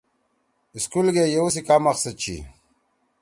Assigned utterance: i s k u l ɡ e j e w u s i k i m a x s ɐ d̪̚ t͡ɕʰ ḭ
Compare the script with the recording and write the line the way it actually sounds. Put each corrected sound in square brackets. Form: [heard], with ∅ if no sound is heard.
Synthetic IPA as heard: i s k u l ɡ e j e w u s i k [a] m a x s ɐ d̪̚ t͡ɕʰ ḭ